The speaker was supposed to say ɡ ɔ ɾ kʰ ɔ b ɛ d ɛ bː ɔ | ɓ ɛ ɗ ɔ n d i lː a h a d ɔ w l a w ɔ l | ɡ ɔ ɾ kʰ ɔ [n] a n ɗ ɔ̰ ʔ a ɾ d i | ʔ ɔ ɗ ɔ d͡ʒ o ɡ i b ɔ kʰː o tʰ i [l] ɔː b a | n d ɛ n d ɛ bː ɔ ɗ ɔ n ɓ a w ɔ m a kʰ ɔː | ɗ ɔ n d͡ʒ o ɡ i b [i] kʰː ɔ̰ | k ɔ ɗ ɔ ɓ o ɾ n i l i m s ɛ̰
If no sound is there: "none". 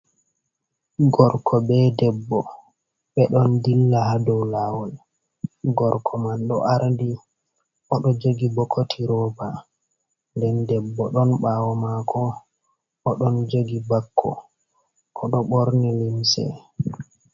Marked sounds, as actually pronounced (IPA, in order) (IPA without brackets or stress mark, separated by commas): m, ɾ, a